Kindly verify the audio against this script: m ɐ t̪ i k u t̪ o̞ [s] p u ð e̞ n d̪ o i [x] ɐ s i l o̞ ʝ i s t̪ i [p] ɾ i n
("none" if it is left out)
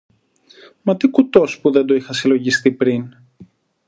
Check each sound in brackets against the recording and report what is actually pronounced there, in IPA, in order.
s, x, p

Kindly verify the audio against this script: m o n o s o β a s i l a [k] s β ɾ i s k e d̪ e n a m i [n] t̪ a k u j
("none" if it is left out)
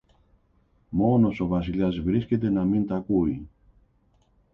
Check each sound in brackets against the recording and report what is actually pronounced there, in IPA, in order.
none, n

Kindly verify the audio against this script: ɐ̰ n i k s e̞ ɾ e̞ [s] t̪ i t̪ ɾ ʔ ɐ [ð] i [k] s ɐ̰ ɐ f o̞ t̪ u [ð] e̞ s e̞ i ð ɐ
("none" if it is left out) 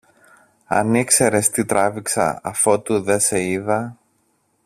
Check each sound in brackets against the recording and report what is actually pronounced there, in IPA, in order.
s, v, k, ð

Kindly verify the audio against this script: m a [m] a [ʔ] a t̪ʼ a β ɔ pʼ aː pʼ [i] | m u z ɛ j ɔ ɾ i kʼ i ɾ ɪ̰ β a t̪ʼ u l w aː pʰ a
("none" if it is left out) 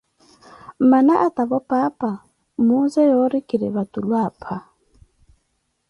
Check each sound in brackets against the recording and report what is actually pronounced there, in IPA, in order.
n, ʔ, a

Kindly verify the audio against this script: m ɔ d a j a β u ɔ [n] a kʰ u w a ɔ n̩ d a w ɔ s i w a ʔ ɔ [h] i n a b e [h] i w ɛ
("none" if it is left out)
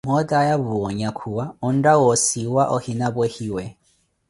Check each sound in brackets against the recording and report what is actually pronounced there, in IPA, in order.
ɲ, h, h

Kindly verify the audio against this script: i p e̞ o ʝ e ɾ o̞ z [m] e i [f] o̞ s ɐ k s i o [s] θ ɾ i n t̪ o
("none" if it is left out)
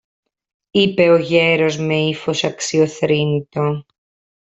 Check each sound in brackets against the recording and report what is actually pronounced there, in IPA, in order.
m, f, none

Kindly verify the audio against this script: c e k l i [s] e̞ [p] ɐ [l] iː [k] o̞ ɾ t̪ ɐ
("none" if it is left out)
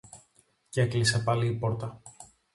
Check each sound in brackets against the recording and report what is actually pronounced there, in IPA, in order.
s, p, l, p

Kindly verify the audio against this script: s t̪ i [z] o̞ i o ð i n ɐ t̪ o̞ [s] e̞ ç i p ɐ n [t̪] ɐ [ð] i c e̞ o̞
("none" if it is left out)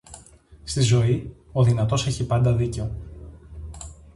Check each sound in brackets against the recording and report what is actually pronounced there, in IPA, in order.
z, s, d̪, ð

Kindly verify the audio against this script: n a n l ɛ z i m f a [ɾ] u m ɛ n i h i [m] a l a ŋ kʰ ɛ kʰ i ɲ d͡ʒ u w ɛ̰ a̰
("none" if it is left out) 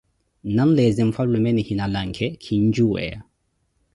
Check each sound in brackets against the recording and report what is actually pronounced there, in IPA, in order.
l, n

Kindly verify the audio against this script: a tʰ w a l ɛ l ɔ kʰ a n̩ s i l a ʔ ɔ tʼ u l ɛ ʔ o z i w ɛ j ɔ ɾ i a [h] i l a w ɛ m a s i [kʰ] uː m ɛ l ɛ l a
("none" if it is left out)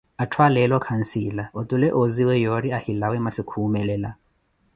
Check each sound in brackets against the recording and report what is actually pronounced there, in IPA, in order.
h, kʰ

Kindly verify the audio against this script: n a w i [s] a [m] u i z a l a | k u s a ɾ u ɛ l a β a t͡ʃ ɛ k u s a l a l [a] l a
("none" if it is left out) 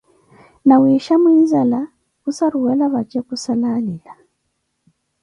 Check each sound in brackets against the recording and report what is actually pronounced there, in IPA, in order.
ʃ, m, i

